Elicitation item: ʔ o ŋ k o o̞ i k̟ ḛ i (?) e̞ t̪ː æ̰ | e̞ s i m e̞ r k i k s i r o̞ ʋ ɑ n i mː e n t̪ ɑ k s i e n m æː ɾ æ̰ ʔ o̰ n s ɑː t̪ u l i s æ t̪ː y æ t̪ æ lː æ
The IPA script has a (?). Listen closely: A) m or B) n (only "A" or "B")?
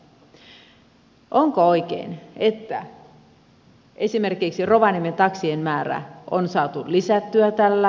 B